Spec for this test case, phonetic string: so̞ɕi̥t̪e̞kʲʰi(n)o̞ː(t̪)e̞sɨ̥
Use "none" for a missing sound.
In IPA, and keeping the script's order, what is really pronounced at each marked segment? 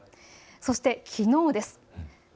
n, d̪

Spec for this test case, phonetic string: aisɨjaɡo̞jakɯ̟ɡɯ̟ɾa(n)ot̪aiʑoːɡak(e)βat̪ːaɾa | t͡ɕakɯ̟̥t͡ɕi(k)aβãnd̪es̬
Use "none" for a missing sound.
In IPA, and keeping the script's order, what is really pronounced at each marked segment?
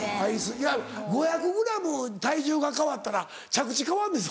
m, a, k

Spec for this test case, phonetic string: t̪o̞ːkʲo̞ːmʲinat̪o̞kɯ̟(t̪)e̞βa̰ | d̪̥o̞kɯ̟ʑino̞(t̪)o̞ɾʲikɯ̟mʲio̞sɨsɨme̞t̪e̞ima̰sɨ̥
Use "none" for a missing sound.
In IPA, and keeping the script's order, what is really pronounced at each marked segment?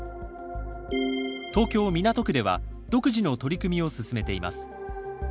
d̪, t̪

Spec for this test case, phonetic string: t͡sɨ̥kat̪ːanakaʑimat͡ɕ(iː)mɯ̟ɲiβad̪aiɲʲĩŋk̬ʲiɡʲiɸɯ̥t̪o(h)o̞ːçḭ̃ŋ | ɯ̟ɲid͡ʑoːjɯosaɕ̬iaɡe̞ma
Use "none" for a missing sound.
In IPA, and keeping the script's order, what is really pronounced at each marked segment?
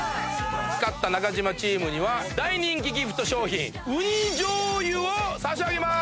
iː, ɕ

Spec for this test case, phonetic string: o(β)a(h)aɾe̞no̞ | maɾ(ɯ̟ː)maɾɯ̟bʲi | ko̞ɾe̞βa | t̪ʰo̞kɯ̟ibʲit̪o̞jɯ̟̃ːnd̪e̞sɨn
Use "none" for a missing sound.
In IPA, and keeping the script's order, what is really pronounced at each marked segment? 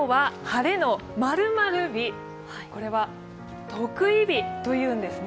β, h, ɯ̟

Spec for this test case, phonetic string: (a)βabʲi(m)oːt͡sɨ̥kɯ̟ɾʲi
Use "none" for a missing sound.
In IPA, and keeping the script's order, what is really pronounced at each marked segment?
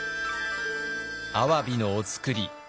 a, n

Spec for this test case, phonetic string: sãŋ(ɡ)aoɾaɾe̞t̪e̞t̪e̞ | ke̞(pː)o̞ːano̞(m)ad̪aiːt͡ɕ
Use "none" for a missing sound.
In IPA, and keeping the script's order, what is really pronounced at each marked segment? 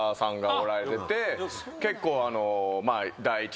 ɡ, kː, m

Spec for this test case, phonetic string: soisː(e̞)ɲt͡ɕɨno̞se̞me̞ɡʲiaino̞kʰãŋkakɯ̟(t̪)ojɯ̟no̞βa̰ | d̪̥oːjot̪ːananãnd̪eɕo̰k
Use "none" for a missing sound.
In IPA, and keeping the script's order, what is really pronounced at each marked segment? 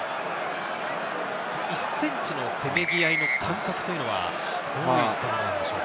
ẽ̞, t̪

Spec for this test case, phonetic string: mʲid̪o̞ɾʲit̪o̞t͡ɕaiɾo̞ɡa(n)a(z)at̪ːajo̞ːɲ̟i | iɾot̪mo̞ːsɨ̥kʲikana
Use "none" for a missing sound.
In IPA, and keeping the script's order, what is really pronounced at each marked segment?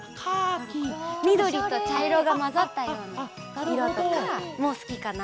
m, z

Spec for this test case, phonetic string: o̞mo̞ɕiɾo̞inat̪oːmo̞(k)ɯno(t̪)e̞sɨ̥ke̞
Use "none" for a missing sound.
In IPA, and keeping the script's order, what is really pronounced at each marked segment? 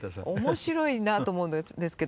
none, d̪

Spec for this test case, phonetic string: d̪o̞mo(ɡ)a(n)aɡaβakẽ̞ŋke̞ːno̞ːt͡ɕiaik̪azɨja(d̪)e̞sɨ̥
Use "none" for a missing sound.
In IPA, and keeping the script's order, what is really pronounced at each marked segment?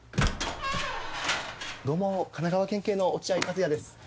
k, n, d̪

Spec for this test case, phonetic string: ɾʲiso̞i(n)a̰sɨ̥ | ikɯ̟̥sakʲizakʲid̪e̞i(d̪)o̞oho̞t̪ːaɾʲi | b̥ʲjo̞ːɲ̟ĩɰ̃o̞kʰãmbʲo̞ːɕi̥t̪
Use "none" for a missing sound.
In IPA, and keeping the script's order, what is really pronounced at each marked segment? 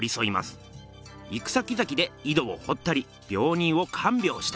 m, d̪

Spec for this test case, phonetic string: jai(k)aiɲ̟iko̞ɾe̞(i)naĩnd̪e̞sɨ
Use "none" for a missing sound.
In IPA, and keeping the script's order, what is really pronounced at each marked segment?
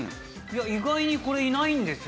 ɡ, i

